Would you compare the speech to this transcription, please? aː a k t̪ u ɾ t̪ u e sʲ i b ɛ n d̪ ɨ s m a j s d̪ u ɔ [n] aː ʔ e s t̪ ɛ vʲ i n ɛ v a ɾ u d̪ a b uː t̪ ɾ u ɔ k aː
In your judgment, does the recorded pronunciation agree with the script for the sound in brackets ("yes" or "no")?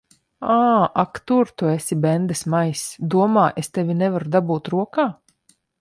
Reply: no